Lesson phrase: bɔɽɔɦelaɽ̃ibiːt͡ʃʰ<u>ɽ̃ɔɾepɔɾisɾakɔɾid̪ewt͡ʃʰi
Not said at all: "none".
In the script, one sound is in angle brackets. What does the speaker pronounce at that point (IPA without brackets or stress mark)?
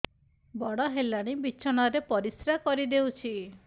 ɔ